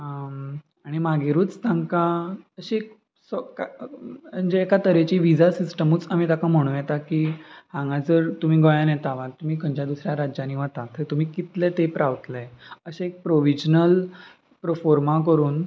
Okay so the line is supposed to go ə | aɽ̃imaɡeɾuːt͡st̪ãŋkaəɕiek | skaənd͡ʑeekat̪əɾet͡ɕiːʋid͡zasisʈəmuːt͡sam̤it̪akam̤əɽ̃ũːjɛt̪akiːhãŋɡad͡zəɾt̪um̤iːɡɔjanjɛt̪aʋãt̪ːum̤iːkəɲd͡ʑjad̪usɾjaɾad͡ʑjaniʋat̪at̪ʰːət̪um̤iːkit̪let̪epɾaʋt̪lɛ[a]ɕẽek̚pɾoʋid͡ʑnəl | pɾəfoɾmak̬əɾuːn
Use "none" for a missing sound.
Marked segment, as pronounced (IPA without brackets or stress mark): ə